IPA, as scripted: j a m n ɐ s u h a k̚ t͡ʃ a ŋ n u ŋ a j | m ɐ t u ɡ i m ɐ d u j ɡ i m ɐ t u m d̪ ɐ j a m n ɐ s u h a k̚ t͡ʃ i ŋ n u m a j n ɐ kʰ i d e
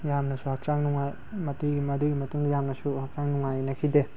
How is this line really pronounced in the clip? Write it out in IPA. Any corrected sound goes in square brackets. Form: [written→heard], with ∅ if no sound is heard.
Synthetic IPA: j a m n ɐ s u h a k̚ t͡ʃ a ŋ n u ŋ a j | m ɐ t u ɡ i m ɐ d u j ɡ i m ɐ t u [m→ŋ] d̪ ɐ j a m n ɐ s u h a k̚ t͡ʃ [i→a] ŋ n u [m→ŋ] a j n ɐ kʰ i d e